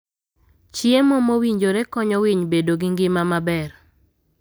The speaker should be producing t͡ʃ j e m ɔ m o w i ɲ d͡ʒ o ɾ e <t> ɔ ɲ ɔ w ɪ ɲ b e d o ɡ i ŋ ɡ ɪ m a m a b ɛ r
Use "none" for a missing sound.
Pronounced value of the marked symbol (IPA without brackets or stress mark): k